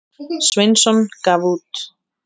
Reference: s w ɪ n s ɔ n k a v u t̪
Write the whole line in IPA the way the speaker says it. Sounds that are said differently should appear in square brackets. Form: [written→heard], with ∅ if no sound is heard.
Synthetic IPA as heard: s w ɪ n s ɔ n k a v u t̪